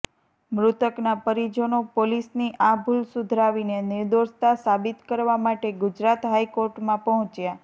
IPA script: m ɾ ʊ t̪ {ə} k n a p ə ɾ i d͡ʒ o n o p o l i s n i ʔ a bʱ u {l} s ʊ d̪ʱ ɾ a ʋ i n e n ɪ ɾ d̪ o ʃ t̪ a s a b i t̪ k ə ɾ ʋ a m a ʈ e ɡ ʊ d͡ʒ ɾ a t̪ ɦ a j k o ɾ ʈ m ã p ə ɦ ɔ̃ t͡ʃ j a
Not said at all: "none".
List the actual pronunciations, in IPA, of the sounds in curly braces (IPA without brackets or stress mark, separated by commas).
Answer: ə, l